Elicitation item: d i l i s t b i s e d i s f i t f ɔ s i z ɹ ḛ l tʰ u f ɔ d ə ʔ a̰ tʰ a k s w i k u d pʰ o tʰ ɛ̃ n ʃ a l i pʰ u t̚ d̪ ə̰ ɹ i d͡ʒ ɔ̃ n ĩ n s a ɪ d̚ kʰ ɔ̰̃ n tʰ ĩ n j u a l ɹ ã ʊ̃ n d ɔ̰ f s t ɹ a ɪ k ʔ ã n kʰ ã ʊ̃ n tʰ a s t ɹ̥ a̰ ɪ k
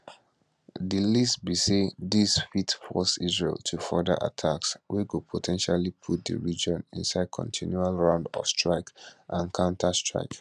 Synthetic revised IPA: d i l i s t b i s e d i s f i t f ɔ s i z ɹ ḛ l tʰ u f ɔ d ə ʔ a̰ tʰ a k s w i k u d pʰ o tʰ ɛ̃ n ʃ a l i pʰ u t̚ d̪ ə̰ ɹ i d͡ʒ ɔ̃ n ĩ n s a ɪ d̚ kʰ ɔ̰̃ n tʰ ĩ n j u a l ɹ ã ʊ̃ n d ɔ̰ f s t ɹ a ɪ k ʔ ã n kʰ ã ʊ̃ n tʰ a s t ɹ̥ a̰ ɪ k